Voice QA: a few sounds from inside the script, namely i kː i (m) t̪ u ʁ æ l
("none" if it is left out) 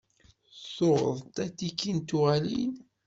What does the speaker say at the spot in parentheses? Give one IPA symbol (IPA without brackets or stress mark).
n